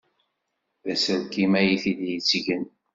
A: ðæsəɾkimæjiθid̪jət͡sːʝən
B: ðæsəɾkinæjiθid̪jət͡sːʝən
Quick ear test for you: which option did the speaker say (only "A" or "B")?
A